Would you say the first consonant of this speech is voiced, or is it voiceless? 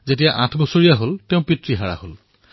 voiced